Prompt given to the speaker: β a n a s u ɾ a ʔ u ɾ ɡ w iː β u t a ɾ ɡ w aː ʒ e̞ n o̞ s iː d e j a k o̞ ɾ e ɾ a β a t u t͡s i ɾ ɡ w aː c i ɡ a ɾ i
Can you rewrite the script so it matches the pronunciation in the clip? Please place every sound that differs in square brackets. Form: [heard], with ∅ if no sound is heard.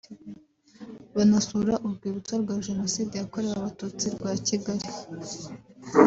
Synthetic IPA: β a n a s u ɾ a ʔ u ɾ ɡ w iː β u [t͡s] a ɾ ɡ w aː ʒ e̞ n o̞ s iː d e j a k o̞ ɾ e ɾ a β a t u t͡s i ɾ ɡ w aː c i ɡ a ɾ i